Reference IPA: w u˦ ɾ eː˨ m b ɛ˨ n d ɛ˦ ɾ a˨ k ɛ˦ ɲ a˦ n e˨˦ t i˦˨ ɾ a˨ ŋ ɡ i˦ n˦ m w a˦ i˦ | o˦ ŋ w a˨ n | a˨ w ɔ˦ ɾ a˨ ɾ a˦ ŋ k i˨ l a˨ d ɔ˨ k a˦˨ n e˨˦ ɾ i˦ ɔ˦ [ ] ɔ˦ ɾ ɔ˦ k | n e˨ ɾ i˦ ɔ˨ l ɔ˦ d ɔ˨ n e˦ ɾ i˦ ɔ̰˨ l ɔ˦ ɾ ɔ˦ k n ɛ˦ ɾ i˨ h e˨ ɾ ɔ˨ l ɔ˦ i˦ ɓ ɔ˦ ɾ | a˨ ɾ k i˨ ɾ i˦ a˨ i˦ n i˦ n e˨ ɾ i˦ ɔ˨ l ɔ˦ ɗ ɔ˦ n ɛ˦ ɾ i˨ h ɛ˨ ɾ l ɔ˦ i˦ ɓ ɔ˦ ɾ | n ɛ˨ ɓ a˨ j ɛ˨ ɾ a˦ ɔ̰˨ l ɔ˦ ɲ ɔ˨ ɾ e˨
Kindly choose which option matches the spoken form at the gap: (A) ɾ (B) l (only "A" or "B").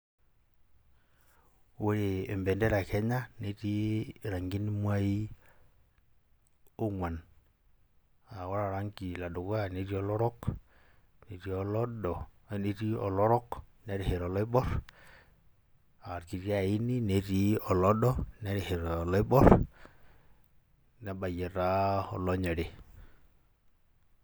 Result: B